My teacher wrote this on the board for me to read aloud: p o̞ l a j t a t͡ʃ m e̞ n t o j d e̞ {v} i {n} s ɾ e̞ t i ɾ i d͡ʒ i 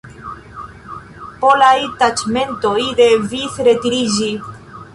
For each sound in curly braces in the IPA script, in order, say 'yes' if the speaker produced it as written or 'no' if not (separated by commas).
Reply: yes, no